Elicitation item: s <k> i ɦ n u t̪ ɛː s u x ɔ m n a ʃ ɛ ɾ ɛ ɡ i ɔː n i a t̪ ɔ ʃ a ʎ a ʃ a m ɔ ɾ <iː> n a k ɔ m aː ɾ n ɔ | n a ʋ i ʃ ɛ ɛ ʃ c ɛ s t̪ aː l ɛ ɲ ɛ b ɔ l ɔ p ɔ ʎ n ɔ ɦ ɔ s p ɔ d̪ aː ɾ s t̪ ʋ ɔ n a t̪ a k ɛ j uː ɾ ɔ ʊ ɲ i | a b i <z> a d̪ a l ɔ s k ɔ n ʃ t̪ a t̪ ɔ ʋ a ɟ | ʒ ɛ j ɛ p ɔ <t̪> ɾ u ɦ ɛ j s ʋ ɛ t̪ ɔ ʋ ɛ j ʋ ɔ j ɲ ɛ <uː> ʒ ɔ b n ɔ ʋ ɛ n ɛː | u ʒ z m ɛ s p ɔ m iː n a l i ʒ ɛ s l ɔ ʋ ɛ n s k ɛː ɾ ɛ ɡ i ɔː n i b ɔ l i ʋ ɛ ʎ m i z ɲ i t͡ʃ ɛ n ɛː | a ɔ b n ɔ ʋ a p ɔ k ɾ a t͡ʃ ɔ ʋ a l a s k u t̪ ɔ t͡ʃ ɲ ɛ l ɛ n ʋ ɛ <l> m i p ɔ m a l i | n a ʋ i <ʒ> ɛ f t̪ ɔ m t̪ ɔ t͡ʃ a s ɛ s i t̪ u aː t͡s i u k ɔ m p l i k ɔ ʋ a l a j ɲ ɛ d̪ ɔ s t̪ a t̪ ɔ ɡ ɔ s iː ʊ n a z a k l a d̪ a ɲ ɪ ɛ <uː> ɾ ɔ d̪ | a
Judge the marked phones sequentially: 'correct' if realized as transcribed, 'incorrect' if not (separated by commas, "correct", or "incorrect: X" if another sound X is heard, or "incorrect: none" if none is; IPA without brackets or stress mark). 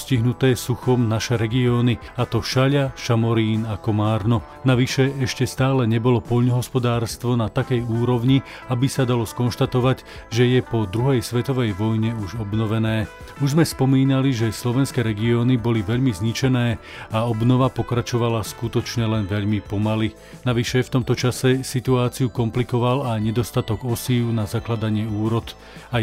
incorrect: c, correct, incorrect: s, incorrect: d̪, incorrect: u, incorrect: ʎ, incorrect: ʃ, correct